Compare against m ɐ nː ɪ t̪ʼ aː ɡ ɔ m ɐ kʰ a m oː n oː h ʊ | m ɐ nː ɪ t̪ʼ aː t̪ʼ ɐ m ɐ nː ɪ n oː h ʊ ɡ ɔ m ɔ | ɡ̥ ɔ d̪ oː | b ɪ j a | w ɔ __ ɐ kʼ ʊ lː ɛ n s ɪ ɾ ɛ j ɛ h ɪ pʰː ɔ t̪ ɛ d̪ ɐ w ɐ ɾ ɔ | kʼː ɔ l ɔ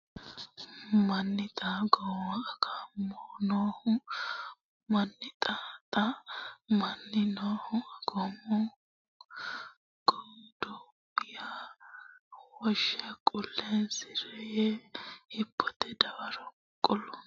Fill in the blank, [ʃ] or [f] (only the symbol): ʃ